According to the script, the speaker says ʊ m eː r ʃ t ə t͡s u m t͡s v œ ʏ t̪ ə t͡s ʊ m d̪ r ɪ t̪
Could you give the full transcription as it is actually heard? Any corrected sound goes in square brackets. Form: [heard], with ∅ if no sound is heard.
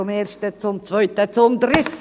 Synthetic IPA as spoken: ʊ m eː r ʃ t ə t͡s [ʊ] m t͡s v œ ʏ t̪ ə t͡s ʊ m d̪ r ɪ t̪